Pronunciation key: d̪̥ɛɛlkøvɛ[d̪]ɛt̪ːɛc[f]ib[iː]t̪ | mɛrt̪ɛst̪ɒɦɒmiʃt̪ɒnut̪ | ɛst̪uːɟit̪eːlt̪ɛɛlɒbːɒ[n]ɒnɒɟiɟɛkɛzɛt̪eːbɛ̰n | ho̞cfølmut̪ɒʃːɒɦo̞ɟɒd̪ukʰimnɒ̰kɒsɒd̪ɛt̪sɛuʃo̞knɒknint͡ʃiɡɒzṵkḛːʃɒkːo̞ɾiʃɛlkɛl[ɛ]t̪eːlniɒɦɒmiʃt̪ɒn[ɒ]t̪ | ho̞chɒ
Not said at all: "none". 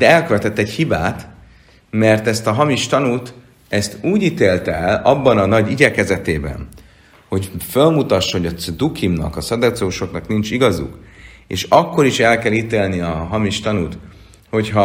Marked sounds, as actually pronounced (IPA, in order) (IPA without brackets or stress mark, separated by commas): t̪, h, aː, n, i, u